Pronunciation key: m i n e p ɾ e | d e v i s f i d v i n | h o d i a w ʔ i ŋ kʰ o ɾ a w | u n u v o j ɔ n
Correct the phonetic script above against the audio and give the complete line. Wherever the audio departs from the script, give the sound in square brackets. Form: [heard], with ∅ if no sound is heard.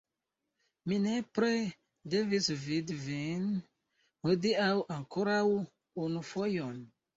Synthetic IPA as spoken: m i n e p ɾ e | d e v i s [v] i d v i n | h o d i a w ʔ [a] ŋ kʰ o ɾ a w | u n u [f] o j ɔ n